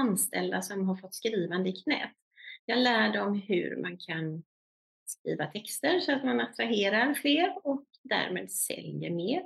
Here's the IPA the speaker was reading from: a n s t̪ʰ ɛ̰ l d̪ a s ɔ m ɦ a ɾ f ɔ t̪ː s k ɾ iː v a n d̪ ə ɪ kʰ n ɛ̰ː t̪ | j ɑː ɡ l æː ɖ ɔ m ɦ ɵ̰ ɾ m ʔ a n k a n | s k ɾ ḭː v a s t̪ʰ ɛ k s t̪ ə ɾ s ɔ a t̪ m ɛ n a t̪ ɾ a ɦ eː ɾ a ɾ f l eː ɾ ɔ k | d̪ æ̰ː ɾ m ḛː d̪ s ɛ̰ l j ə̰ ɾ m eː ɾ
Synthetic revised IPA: a n s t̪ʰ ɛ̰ l d̪ a s ɔ m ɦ a ɾ f ɔ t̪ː s k ɾ iː v a n d̪ ə ɪ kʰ n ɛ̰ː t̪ | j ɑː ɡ l æː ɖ ɔ m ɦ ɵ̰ ɾ m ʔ a n kʰ a n | s k ɾ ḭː v a t̪ʰ ɛ k s t̪ ə ɾ s ɔ a t̪ m a n a t̪ ɾ a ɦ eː ɾ a ɾ f l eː ɾ ɔ k | d̪ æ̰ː ɾ m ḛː d̪ s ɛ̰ l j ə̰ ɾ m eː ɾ